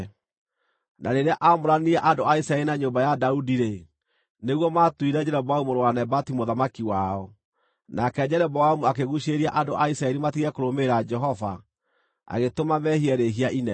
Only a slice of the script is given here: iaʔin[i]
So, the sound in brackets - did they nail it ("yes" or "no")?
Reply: no